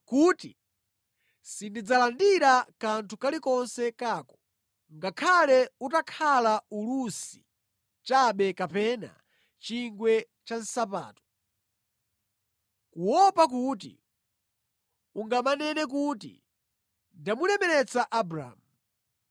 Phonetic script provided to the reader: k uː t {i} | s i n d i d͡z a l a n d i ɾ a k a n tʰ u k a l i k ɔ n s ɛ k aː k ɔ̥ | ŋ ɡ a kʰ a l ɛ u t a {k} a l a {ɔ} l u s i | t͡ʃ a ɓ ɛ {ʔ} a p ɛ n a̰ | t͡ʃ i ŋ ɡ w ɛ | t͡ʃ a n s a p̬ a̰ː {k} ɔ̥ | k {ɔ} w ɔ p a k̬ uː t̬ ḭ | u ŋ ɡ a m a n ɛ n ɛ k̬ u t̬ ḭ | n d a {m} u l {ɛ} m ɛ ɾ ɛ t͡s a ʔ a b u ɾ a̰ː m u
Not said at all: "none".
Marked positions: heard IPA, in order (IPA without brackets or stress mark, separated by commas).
i, kʰ, u, k, t, u, m, ɛ